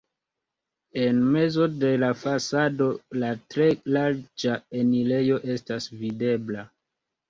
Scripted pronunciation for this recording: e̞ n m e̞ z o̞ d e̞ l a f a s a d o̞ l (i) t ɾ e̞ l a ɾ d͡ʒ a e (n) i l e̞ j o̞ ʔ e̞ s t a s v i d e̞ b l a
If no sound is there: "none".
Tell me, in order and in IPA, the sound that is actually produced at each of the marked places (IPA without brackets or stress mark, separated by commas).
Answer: a, n